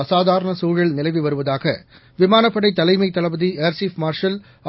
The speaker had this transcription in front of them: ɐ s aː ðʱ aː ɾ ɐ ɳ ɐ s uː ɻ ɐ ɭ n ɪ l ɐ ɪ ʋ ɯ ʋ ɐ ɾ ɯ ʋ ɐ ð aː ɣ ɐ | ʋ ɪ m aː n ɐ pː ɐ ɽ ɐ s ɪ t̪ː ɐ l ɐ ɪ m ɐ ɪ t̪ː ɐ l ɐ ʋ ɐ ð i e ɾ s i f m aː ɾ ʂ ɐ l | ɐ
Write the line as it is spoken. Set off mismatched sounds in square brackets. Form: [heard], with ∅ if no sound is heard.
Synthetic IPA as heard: ɐ s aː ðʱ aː ɾ ɐ ɳ ɐ s uː ɻ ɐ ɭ n ɪ l ɐ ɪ ʋ ɯ ʋ ɐ ɾ ɯ ʋ ɐ ð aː ɣ ɐ | ʋ ɪ m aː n ɐ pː ɐ ɽ ɐ [∅] ɪ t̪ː ɐ l ɐ ɪ m ɐ ɪ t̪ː ɐ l ɐ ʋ ɐ ð i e ɾ s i f m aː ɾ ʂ ɐ l | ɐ

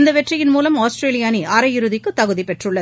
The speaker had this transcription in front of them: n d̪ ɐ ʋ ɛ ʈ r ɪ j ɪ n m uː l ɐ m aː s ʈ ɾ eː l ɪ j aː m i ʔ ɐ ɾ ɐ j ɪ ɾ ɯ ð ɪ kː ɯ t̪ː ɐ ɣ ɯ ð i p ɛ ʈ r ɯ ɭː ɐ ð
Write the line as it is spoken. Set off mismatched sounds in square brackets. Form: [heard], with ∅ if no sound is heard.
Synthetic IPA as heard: n d̪ ɐ ʋ ɛ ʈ r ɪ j ɪ n m uː l ɐ m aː s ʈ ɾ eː l ɪ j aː [n] i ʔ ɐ ɾ ɐ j ɪ ɾ ɯ ð ɪ kː ɯ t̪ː ɐ ɣ ɯ ð i p ɛ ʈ r ɯ ɭː ɐ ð

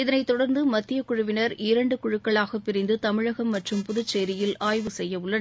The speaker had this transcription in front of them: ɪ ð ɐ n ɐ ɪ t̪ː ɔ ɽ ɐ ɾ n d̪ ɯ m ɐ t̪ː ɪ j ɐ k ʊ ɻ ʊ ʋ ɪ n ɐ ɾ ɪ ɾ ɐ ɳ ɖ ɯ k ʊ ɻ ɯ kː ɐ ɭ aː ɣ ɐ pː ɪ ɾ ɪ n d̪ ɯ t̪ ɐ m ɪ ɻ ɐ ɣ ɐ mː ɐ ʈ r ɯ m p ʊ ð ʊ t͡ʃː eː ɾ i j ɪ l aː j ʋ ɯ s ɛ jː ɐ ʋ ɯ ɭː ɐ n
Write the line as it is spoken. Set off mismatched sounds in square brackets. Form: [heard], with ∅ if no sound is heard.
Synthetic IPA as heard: ɪ ð ɐ n ɐ ɪ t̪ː ɔ ɽ ɐ ɾ n d̪ ɯ m ɐ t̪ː ɪ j ɐ k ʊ ɻ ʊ ʋ ɪ n ɐ ɾ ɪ ɾ ɐ ɳ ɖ ɯ k ʊ ɻ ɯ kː ɐ ɭ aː ɣ ɐ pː ɪ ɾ ɪ n d̪ ɯ t̪ ɐ m ɪ ɻ ɐ ɣ ɐ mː ɐ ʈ r ɯ m p ʊ ð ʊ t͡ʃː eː ɾ [ɪ] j ɪ l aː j ʋ ɯ s ɛ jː ɐ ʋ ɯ ɭː ɐ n

